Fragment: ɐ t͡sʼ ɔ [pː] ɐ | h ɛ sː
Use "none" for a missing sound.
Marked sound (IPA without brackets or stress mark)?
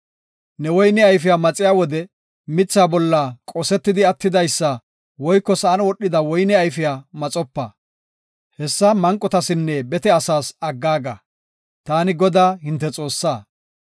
pː